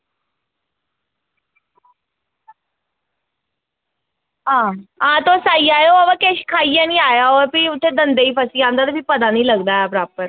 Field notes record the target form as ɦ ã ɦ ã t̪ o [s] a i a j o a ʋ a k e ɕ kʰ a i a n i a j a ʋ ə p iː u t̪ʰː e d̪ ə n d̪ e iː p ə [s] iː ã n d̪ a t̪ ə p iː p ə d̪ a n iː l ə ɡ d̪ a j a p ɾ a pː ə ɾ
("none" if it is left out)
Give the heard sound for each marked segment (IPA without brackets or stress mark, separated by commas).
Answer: s, s